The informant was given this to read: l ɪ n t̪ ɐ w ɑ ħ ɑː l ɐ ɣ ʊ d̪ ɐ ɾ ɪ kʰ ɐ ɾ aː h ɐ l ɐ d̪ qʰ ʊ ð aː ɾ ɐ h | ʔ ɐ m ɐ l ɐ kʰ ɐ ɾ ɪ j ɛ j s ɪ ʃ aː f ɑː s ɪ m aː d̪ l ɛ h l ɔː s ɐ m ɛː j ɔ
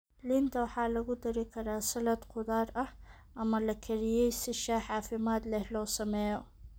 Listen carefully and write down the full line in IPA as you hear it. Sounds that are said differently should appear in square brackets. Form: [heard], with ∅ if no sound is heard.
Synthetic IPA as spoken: l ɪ n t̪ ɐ w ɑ ħ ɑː l ɐ ɣ ʊ d̪ ɐ ɾ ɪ kʰ ɐ ɾ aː [s] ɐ l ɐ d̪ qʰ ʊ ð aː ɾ ɐ h | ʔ ɐ m ɐ l ɐ kʰ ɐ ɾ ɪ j ɛ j s ɪ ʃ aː [ħ] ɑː [f] ɪ m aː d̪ l ɛ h l ɔː s ɐ m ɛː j ɔ